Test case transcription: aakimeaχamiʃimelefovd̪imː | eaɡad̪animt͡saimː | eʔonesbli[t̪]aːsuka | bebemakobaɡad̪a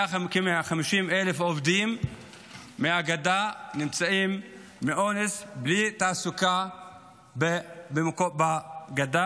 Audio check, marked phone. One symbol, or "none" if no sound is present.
t̪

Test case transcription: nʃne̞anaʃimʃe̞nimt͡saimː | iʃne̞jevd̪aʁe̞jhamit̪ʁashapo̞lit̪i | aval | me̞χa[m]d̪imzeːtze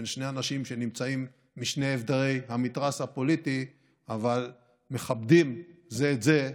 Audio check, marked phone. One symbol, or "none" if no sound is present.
b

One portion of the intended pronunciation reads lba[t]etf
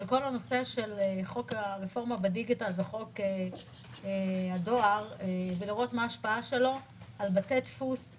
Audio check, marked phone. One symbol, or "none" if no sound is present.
t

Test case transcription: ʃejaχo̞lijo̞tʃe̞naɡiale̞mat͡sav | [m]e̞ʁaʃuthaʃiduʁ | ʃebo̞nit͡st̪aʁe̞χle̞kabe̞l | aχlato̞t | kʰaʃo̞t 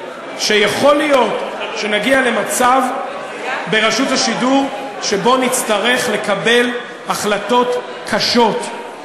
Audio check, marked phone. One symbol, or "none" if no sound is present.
b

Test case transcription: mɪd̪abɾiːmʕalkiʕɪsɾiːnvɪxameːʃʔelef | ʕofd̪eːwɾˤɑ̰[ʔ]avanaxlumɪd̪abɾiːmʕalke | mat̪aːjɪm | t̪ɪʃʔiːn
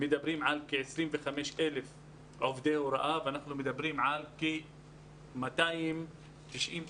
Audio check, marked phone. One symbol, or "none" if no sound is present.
ʔ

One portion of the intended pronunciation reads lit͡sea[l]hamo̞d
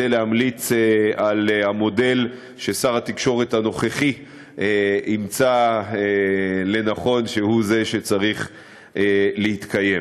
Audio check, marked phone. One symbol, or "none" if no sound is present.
l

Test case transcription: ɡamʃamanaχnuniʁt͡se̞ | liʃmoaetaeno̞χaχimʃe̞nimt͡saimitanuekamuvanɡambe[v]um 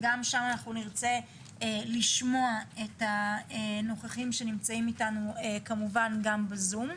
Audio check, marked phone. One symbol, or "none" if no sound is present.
z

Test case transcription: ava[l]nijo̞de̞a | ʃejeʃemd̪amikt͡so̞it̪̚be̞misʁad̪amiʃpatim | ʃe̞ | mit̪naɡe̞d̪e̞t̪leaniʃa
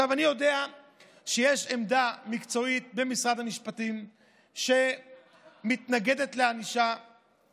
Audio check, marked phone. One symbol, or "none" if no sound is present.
none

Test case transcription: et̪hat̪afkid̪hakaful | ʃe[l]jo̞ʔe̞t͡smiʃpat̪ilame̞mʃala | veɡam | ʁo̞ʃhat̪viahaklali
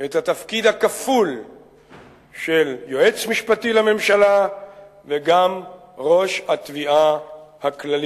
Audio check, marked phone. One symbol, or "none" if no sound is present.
l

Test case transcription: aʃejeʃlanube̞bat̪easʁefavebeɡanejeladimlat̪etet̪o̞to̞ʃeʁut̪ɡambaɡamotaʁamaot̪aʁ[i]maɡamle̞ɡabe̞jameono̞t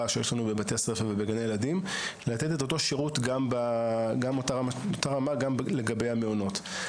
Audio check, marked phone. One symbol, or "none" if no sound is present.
a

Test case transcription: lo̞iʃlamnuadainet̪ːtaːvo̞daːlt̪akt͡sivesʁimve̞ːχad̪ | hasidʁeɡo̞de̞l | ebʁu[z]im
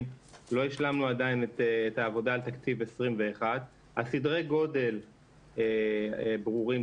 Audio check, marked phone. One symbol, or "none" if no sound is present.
ʁ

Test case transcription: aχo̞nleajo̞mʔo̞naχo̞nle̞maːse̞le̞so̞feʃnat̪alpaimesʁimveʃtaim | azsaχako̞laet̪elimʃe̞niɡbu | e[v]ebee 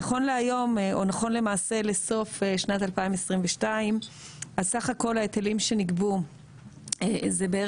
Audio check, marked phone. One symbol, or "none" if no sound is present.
z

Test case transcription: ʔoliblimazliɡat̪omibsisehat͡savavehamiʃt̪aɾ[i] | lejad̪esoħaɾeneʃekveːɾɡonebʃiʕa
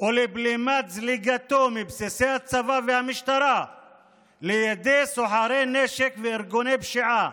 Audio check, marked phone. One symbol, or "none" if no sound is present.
a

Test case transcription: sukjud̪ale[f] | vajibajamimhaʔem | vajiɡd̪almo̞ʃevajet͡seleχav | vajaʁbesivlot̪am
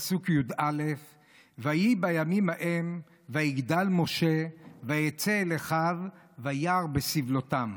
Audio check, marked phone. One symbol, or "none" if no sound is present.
f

